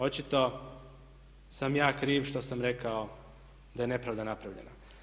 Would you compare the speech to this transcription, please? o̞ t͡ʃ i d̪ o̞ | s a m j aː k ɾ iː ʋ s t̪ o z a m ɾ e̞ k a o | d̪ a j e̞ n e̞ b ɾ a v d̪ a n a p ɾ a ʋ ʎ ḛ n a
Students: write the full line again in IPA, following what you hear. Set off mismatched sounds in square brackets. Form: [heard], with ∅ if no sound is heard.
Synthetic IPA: o̞ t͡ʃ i [t̪] o̞ | s a m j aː k ɾ iː ʋ [ʃ] t̪ o [s] a m ɾ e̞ k a o | d̪ a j e̞ n e̞ [p] ɾ a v d̪ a n a p ɾ a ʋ ʎ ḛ n a